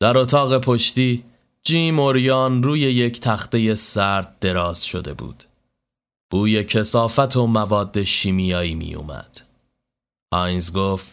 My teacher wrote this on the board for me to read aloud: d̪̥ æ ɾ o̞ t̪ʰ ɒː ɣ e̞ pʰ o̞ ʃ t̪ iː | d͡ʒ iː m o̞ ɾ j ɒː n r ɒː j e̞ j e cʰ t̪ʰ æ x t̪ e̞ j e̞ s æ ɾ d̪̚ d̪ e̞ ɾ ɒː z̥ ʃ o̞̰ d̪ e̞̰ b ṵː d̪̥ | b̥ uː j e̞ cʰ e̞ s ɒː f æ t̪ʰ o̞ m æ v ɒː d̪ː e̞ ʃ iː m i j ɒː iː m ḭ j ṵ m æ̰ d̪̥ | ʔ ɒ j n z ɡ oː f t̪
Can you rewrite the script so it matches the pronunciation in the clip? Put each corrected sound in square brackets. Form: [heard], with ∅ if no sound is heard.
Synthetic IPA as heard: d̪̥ æ ɾ o̞ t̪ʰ ɒː ɣ e̞ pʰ o̞ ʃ t̪ iː | d͡ʒ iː m o̞ ɾ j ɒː n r [uː] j e̞ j e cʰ t̪ʰ æ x t̪ e̞ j e̞ s æ ɾ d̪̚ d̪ e̞ ɾ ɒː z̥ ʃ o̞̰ d̪ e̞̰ b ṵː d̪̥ | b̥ uː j e̞ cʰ e̞ s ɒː f æ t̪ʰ o̞ m æ v ɒː d̪ː e̞ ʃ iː m i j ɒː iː m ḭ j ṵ m æ̰ d̪̥ | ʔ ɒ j n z ɡ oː f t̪